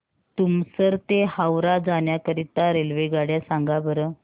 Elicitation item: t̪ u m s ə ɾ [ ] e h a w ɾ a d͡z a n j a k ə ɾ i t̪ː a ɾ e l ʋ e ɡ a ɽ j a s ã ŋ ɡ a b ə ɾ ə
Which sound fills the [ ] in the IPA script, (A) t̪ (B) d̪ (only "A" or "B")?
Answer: A